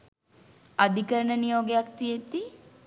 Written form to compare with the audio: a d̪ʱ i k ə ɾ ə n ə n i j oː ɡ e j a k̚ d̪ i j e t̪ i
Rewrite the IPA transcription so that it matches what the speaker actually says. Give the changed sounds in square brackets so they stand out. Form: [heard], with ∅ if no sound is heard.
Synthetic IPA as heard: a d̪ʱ i k ə ɾ ə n ə n i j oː ɡ e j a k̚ [t̪] i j e t̪ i